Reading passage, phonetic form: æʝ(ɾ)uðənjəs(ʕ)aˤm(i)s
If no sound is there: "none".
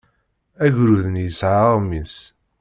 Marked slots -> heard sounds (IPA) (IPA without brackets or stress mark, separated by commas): ɾ, ʕ, i